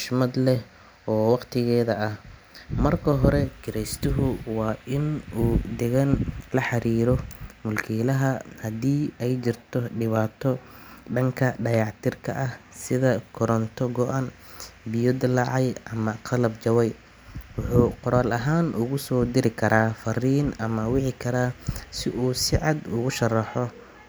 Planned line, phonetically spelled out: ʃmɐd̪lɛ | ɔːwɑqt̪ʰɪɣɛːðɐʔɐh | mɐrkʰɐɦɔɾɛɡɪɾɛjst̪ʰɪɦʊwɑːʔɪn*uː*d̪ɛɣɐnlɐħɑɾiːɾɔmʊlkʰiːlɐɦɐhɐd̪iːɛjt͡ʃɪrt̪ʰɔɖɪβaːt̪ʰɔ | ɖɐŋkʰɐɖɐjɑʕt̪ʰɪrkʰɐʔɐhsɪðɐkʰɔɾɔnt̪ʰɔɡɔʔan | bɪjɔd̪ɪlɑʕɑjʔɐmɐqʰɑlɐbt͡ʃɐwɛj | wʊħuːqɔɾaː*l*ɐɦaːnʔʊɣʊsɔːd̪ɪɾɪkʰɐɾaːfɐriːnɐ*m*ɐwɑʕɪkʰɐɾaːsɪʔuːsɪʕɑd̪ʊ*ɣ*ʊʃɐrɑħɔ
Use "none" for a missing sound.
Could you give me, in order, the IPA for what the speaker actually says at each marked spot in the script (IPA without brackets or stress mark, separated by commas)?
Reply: uː, l, m, ɣ